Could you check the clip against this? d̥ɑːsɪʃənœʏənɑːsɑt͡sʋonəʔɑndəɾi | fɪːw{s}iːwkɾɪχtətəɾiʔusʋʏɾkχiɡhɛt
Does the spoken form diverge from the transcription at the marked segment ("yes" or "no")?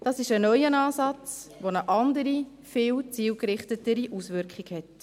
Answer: yes